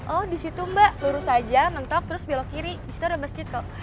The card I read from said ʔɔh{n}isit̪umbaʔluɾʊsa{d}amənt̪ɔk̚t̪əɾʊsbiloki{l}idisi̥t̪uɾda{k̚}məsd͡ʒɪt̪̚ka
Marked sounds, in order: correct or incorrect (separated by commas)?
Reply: incorrect, incorrect, incorrect, incorrect